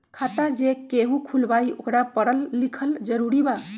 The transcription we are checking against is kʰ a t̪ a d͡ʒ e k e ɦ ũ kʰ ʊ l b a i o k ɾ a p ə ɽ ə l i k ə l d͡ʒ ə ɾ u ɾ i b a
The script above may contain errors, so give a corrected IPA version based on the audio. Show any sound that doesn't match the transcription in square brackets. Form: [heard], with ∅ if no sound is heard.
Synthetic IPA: kʰ a t̪ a d͡ʒ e k e ɦ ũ kʰ [u] l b a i o k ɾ a p ə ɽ ə [lː] i [kʰ] ə l d͡ʒ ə ɾ u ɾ i b a